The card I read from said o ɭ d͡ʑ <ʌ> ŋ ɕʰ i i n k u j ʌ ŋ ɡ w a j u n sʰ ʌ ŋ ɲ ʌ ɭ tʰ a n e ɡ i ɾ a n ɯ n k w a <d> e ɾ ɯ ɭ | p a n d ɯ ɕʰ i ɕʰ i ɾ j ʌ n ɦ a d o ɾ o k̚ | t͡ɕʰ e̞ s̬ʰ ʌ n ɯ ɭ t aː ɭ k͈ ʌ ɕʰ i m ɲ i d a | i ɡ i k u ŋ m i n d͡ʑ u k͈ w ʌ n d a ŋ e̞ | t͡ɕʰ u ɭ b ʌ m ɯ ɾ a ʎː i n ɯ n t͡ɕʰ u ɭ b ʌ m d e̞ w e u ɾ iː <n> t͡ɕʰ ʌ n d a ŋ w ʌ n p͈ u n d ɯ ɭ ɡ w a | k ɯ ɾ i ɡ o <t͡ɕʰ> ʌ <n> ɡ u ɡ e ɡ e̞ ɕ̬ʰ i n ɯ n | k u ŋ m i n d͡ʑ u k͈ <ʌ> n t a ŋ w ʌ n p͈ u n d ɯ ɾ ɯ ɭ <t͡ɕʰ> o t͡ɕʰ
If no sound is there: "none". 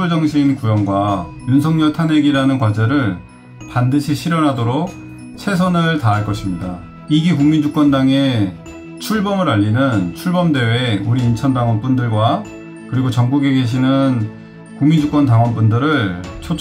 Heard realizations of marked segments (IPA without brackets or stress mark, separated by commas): ʌ, d͡ʑ, n, t͡ɕ, ŋ, ʌ, t͡ɕʰ